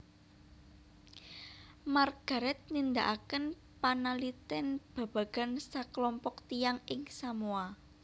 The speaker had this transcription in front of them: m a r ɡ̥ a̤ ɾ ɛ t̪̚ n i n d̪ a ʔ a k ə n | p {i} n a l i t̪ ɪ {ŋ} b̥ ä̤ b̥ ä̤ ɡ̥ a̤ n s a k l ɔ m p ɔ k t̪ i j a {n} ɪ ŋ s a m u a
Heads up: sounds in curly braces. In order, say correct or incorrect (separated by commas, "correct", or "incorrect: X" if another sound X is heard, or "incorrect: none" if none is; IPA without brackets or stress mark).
incorrect: a, incorrect: n, incorrect: ŋ